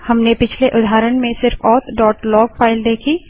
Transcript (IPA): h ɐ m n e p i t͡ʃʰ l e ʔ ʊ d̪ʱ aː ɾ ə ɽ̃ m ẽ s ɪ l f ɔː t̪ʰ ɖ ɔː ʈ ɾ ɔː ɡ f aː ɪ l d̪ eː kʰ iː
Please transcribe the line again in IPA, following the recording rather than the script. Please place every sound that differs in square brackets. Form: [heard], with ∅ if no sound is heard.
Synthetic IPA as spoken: h ɐ m n e p [ɪ] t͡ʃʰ l e ʔ ʊ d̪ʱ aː ɾ ə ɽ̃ m ẽ s ɪ [ɾ] f ɔː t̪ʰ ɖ ɔː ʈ [l] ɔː ɡ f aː ɪ l d̪ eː kʰ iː